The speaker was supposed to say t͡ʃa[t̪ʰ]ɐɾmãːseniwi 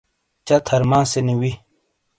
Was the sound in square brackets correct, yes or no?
yes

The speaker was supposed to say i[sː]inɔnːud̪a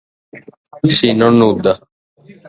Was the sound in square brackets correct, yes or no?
no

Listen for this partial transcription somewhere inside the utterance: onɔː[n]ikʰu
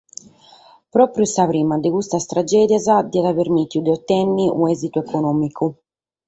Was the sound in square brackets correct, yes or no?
no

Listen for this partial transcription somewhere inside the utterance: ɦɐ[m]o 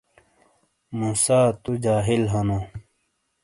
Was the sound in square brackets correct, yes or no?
no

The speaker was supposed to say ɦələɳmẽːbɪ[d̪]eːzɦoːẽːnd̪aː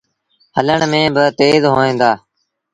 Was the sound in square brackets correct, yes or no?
no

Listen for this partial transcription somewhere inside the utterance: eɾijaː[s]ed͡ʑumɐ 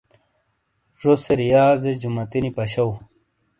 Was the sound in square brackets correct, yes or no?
no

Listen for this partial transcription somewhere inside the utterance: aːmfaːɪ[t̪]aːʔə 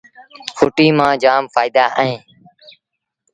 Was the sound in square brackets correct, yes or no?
no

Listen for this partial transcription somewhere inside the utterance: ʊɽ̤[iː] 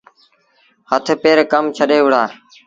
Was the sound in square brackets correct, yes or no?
no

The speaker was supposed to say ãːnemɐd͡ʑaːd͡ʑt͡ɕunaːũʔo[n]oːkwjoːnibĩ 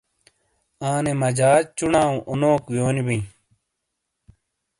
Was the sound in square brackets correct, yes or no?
yes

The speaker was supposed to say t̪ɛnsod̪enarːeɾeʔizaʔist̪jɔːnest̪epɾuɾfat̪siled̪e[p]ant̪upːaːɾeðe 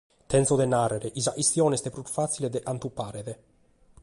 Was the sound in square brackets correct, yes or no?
no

